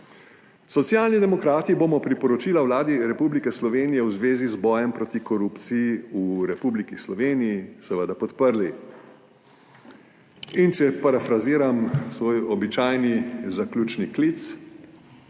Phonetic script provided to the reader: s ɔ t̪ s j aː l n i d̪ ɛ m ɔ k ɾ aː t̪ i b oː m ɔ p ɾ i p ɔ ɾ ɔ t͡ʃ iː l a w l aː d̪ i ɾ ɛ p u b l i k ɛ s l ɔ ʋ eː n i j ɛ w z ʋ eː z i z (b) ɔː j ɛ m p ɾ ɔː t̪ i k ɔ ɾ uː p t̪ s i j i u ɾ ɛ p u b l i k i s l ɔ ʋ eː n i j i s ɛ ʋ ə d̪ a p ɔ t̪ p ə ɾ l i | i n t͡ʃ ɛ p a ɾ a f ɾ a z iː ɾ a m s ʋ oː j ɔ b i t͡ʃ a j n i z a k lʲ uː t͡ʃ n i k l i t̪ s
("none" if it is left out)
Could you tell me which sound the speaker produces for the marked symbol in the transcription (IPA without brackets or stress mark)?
b